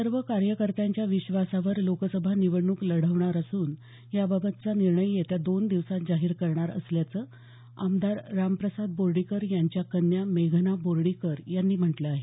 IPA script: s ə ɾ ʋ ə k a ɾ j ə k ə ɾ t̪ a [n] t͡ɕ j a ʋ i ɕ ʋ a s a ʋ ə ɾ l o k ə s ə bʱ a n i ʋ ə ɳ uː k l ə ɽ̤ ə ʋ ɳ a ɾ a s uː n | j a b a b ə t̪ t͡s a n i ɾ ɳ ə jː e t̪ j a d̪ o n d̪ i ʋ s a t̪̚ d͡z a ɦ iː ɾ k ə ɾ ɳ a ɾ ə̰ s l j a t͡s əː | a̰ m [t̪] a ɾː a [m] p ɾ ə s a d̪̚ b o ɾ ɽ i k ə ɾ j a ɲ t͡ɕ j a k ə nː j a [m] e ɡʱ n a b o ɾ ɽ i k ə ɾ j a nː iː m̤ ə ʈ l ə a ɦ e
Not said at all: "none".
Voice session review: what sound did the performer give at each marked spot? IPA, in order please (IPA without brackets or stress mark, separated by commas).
ɲ, d̪, m, m